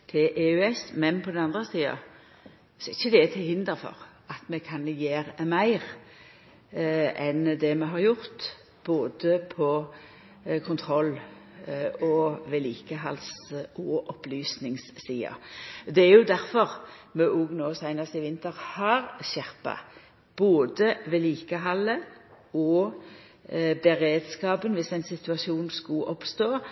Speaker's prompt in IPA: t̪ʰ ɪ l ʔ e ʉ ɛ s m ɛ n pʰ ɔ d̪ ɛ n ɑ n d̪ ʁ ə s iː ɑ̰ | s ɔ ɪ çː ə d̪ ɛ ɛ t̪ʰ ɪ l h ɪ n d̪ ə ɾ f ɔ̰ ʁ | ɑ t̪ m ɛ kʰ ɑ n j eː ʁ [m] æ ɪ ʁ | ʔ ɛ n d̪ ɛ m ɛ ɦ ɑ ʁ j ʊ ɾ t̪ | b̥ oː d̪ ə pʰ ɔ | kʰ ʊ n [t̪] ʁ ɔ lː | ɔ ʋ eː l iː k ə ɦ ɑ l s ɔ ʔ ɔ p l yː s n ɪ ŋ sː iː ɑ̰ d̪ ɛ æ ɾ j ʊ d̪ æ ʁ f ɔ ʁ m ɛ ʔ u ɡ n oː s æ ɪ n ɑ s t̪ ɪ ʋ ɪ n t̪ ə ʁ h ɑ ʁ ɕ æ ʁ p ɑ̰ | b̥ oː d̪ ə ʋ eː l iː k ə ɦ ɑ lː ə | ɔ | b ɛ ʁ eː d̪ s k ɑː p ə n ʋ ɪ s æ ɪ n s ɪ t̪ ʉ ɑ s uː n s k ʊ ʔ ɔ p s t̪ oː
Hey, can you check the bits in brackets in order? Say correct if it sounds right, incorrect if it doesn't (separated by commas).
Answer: correct, incorrect